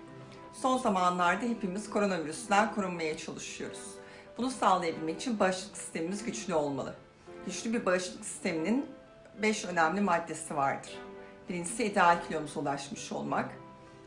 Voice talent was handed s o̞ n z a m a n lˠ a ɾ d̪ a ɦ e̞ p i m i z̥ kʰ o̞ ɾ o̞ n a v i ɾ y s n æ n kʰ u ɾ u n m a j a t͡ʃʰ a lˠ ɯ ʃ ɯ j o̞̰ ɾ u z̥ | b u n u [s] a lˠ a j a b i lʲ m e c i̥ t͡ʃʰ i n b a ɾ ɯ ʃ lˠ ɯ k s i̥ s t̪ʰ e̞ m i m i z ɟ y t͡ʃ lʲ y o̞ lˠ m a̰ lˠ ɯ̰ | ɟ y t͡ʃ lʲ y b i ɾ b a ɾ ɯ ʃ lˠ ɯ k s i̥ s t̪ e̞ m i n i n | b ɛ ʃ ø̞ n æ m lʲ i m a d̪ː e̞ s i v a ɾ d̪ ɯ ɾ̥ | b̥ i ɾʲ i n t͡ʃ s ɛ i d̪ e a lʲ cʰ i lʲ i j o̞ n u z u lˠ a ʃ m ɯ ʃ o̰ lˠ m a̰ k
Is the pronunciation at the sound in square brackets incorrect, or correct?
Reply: correct